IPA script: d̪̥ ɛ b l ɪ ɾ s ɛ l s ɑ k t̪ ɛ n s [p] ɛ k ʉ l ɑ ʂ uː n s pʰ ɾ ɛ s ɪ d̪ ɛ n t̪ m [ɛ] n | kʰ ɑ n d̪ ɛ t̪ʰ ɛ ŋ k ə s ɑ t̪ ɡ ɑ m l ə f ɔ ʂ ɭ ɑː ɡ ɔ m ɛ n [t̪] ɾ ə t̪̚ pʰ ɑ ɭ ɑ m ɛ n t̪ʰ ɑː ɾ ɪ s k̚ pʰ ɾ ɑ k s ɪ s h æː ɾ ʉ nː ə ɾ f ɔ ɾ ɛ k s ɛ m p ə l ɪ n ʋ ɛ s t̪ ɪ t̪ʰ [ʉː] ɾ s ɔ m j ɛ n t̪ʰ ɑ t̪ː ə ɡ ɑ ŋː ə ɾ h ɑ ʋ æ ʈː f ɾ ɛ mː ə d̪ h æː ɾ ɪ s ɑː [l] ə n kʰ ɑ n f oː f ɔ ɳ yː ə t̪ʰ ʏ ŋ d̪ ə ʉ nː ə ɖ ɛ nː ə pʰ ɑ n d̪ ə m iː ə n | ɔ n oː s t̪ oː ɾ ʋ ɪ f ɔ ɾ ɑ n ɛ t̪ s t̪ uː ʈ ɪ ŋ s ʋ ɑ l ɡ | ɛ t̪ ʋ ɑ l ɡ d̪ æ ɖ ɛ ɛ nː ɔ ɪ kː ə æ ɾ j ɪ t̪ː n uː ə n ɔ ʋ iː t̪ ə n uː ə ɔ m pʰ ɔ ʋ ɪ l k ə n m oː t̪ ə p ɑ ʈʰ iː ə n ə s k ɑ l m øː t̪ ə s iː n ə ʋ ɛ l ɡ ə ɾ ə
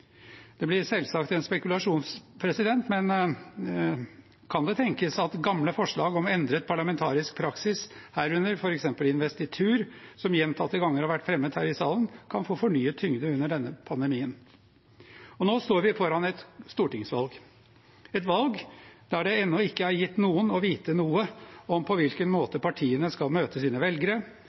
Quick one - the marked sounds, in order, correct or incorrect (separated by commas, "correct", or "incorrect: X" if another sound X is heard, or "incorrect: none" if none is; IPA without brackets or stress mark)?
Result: correct, correct, incorrect: d̪, correct, correct